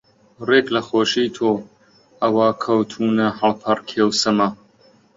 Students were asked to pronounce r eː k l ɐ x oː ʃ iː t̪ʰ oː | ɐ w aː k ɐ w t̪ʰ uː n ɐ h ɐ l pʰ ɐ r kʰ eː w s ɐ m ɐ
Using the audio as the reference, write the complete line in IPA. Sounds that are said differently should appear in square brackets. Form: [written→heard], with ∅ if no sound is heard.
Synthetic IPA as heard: r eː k l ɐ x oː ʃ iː t̪ʰ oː | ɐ w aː [k→kʰ] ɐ w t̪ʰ uː n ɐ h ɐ l pʰ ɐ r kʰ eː w s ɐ m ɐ